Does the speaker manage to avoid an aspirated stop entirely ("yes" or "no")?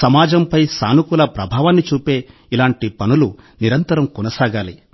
yes